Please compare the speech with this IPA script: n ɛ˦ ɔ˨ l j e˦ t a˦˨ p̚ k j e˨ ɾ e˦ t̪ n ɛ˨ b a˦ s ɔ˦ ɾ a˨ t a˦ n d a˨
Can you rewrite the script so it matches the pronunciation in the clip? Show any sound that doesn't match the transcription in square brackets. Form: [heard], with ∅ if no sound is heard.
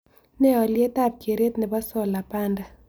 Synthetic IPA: n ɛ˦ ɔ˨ l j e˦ t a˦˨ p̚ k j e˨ ɾ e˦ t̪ n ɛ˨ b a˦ s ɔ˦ [l] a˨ [p] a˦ n d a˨